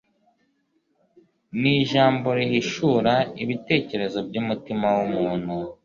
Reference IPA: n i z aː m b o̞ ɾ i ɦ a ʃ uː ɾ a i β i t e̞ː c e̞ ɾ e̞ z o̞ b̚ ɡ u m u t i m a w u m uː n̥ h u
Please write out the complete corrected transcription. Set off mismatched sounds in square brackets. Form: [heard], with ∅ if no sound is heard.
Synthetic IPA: n i [ʒ] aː m b o̞ ɾ i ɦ [i] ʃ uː ɾ a i β i t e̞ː c e̞ ɾ e̞ z o̞ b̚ [ɟ] u m u t i m a w u m uː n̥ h u